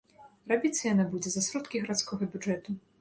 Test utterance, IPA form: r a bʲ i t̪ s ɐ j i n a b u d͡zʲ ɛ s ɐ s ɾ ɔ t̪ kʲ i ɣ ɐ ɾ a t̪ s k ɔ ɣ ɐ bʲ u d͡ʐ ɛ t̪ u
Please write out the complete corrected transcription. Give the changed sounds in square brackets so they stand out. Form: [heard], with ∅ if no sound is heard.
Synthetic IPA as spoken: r a bʲ i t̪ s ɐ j [a] n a b u d͡zʲ ɛ [z] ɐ s ɾ ɔ t̪ kʲ i ɣ ɐ ɾ a t̪ s k ɔ ɣ ɐ bʲ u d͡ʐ ɛ t̪ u